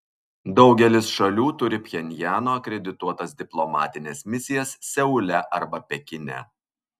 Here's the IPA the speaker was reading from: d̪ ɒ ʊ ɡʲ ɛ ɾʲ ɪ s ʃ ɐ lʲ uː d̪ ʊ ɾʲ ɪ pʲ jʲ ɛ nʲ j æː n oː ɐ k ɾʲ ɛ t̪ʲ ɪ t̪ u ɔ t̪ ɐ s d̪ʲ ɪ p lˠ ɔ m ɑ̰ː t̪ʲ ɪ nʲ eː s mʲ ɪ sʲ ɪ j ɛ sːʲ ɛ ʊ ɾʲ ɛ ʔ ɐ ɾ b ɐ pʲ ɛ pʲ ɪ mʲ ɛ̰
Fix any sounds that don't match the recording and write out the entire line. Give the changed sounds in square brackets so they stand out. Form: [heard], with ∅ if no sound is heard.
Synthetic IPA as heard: d̪ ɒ ʊ ɡʲ ɛ [lʲ] ɪ s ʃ ɐ lʲ uː [t̪] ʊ ɾʲ ɪ pʲ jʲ ɛ nʲ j æː n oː ɐ k ɾʲ ɛ [d̪ʲ] ɪ t̪ u ɔ t̪ ɐ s d̪ʲ ɪ p lˠ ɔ m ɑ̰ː t̪ʲ ɪ nʲ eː s mʲ ɪ sʲ ɪ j ɛ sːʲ ɛ ʊ [lʲ] ɛ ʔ ɐ ɾ b ɐ pʲ ɛ [kʲ] ɪ [nʲ] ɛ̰